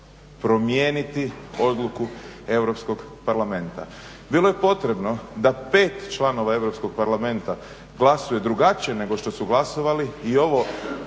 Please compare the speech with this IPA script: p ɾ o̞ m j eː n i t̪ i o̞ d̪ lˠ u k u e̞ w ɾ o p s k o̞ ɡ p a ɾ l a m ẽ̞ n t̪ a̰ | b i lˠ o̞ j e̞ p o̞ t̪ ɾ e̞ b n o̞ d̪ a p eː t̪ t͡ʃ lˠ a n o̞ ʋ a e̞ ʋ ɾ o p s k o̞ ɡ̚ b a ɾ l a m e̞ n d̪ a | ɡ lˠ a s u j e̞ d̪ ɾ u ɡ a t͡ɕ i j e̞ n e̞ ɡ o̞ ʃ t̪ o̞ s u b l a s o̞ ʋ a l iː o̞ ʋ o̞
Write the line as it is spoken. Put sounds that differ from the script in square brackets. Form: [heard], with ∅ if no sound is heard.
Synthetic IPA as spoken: p ɾ o̞ m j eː n i t̪ i o̞ d̪ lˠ u k u e̞ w ɾ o p s k o̞ ɡ p a ɾ l a m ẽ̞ n t̪ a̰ | b i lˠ o̞ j e̞ p o̞ t̪ ɾ e̞ b n o̞ d̪ a p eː t̪ t͡ʃ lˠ a n o̞ ʋ a e̞ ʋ ɾ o p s k o̞ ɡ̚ [p] a ɾ l a m e̞ n [t̪] a | ɡ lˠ a s u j e̞ d̪ ɾ u ɡ a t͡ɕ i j e̞ n e̞ ɡ o̞ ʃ t̪ o̞ s u [ɡ] l a s o̞ ʋ a l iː o̞ ʋ o̞